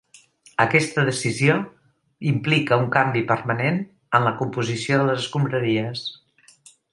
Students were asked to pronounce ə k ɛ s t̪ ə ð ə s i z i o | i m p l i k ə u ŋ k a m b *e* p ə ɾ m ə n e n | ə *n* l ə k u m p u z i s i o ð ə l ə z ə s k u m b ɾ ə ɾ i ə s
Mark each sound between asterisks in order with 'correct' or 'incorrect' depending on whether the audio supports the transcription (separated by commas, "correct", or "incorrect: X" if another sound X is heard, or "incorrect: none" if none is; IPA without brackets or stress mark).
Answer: incorrect: i, correct